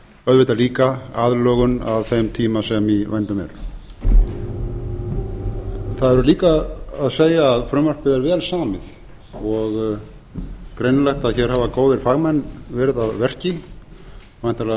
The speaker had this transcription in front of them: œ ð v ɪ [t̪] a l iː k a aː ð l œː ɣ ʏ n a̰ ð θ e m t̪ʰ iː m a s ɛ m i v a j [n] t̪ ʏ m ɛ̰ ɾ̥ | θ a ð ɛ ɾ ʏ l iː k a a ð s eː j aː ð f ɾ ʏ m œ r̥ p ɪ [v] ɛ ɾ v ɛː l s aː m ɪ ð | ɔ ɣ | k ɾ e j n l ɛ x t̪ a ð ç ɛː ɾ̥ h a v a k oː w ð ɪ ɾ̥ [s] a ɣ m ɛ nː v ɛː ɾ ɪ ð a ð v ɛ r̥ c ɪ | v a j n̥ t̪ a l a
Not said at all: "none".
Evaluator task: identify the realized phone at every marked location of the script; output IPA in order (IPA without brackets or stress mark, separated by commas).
t̪, n, ð, f